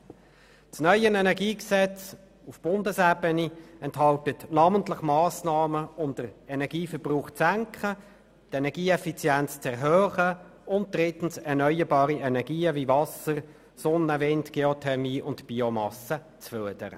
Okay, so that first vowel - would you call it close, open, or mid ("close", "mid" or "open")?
mid